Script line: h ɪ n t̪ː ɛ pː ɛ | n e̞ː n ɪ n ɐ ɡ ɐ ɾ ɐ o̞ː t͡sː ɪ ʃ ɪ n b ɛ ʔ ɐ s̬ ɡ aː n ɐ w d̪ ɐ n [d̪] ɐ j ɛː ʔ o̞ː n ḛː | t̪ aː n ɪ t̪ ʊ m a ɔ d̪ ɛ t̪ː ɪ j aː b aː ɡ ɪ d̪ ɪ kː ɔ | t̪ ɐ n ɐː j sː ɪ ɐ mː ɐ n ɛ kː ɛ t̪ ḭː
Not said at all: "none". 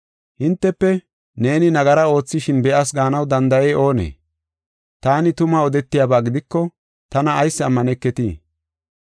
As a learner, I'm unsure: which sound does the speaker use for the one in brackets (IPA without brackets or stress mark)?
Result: d̪